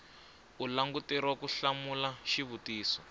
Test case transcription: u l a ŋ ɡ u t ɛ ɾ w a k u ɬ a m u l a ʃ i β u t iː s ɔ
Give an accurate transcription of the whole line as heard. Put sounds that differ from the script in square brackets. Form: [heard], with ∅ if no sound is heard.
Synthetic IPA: u l a ŋ ɡ u t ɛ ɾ w a k u ɬ a m u l a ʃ i β u t iː s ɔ